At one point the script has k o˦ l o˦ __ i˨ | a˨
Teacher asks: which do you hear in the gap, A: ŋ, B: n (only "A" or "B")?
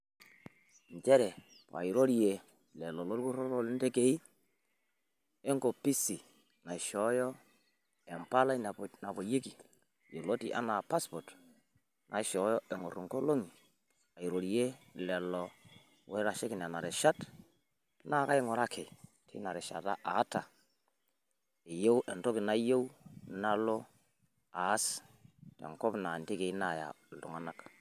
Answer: A